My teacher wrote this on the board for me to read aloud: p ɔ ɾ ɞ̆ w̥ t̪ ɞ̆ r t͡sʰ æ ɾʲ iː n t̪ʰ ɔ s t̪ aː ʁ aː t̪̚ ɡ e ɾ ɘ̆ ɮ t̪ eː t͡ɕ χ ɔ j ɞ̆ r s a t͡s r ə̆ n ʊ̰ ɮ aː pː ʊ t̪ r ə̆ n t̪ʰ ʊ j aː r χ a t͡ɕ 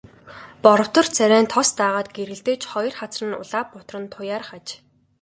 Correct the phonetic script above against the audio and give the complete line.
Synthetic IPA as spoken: p ɔ ɾ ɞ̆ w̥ t̪ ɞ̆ r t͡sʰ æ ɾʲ æː n t̪ʰ ɔ s t̪ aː ʁ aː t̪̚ ɡ e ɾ ɘ̆ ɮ t̪ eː t͡ɕ χ ɔ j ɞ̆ r χ a t͡s r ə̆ n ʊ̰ ɮ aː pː ʊ t̪ r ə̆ n t̪ʰ ʊ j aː r χ a t͡ɕ

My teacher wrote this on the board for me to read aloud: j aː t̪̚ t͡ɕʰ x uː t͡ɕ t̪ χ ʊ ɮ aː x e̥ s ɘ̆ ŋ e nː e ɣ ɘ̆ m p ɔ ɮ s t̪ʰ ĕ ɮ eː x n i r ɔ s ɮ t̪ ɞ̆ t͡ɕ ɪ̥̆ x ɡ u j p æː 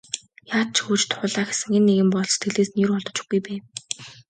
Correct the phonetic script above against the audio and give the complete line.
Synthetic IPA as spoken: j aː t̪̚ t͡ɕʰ x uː t͡ɕ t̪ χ ʊ ɮ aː x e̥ s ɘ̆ ŋ e nː e ɣ ɘ̆ m p ɔ ɮ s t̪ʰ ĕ ɮ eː s n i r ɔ ɮ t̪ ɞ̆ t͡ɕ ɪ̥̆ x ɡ u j p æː

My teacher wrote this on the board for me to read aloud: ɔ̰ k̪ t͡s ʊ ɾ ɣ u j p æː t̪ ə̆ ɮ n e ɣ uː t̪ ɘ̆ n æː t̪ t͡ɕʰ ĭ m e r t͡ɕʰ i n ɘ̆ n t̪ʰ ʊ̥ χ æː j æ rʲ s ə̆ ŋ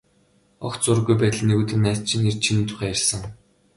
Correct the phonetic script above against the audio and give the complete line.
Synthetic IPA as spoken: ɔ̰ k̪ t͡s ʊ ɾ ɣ u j p æː t̪ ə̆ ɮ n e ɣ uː t̪ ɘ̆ n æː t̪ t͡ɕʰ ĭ n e r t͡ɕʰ i n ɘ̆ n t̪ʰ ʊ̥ χ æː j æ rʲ s ə̆ ŋ

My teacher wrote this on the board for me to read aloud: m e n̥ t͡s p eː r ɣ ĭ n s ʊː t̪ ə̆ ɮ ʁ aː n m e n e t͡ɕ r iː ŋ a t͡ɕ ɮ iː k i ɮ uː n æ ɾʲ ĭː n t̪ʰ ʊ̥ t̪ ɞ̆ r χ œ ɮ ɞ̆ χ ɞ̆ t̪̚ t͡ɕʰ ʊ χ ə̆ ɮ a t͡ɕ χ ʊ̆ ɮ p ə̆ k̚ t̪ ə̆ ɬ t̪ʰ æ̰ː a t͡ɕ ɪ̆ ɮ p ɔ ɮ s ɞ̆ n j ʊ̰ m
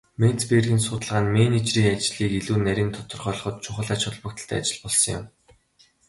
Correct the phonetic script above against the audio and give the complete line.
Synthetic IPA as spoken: m e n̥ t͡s p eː r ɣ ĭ n s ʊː t̪ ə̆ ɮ ʁ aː n m e n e t͡ɕ r iː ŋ a t͡ɕ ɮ iː k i ɮ uː n æ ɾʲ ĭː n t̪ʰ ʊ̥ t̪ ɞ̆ r χ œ ɮ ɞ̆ χ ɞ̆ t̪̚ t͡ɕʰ ʊ χ ə̆ ɮ a t͡ɕ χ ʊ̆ ɮ p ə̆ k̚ t̪ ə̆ ɬ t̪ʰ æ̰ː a t͡ɕ ɪ̆ ɮ p ɔ ɮ s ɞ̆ ŋ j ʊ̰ m

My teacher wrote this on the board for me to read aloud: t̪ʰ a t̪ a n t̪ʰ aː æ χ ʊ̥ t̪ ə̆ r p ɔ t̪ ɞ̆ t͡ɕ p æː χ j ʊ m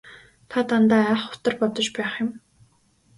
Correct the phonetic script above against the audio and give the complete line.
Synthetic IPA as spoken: t̪ʰ a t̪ a n t̪ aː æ χ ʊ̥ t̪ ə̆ r p ɔ t̪ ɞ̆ t͡ɕ p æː χ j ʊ m

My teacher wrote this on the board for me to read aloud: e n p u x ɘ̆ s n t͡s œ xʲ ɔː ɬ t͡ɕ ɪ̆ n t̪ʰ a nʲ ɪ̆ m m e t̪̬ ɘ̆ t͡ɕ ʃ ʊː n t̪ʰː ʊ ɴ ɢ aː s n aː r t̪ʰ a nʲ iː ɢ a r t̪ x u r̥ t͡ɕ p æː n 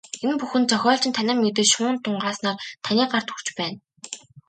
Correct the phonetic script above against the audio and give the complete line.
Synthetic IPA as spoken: e n p u x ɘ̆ n t͡s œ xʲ ɔː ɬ t͡ɕ ɪ̆ n t̪ʰ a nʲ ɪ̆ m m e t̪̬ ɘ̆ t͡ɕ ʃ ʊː n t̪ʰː ʊ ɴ ɢ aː s n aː r t̪ʰ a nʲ iː ɢ a r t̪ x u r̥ t͡ɕ p æː n

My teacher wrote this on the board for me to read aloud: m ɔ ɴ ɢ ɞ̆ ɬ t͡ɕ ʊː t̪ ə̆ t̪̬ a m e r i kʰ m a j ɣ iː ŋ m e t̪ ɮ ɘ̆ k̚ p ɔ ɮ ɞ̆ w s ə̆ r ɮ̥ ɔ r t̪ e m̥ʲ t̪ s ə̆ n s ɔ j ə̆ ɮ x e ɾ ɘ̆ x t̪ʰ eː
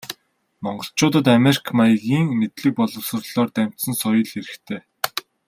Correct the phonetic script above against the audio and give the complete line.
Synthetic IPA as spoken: m ɔ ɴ ɢ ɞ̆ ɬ t͡ɕ ʊː t̪ ə̆ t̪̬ a m e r i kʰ m a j ɣ iː ŋ m e t̪ ɮ ɘ̆ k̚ p ɔ ɮ ɞ̆ w s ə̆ r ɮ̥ ɔː r t̪ æ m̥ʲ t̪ s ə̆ n s ɔ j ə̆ ɮ x e ɾ ɘ̆ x t̪ʰ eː

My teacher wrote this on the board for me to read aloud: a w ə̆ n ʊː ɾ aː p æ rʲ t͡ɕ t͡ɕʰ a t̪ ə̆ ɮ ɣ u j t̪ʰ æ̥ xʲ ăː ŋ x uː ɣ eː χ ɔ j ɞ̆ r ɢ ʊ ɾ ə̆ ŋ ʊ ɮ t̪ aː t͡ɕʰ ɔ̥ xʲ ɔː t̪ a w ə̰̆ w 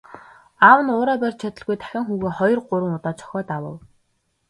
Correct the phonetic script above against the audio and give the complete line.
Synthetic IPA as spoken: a w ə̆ n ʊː ɾ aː p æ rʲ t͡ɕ t͡ɕʰ a t̪ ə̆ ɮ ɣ u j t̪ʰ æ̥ xʲ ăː ŋ x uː ɣ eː χ ɔ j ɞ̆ r ɢ ʊ ɾ ə̆ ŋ ʊ t̪ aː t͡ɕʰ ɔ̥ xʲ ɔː t̪ a w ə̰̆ w

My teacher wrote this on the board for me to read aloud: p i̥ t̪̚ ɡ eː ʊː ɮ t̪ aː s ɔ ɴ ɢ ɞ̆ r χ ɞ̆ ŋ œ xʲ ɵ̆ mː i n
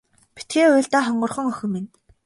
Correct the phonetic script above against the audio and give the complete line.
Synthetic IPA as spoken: p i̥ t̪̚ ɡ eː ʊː ɮ t̪ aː χ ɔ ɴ ɢ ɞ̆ r χ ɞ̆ ŋ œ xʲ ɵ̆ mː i n

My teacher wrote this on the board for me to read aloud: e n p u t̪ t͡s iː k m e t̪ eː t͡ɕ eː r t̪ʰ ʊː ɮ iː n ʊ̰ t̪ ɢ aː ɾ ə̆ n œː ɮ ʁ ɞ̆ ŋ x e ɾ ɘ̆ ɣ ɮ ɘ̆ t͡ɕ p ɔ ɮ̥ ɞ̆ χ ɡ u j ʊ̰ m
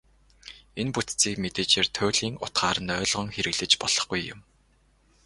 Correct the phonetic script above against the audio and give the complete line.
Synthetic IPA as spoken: e n p u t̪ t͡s iː k m e t̪ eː t͡ɕ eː r t̪ʰ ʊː ɮ iː ŋ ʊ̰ t̪ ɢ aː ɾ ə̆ n œː ɮ ʁ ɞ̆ ŋ x e ɾ ɘ̆ ɣ ɮ ɘ̆ t͡ɕ p ɔ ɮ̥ ɞ̆ χ ɡ u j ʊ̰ m

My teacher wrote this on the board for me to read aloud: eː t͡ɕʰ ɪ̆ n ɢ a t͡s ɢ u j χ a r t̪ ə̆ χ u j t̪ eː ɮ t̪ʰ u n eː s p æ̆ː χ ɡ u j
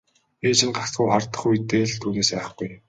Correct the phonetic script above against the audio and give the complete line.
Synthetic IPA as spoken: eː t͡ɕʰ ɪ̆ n ɢ a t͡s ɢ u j χ a r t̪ ə̆ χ u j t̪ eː ɮ t̪ʰ uː n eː s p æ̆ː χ ɡ u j

